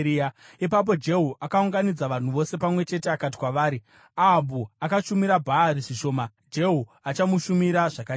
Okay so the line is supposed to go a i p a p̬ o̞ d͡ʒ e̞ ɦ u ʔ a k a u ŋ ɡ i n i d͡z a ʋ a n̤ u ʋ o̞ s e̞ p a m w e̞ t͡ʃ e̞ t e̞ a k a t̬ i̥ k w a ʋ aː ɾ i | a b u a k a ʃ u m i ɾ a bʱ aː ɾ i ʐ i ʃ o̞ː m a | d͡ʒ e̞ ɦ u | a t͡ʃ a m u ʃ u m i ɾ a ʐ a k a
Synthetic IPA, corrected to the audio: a i p a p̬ o̞ d͡ʒ e̞ ɦ u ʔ a k a u ŋ ɡ a n i d͡z a ʋ a n̤ u ʋ o̞ s e̞ p a m w e̞ t͡ʃ e̞ t e̞ a k a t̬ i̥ k w a ʋ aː ɾ i | a b u a k a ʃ u m i ɾ a bʱ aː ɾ i ʐ i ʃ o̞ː m a | d͡ʒ e̞ ɦ u | a t͡ʃ a m u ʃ u m i ɾ a ʐ a k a